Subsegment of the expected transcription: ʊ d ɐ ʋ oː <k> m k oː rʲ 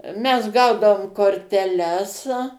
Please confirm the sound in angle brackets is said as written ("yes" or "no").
no